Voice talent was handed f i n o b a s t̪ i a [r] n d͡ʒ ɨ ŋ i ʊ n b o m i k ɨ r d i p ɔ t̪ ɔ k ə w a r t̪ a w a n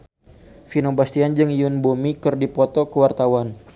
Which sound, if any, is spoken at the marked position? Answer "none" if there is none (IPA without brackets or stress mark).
none